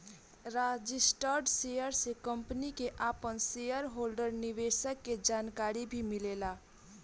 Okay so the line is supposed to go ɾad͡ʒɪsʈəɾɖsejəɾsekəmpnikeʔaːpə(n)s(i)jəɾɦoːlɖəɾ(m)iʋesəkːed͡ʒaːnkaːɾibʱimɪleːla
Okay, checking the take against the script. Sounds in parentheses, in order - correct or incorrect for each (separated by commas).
correct, incorrect, incorrect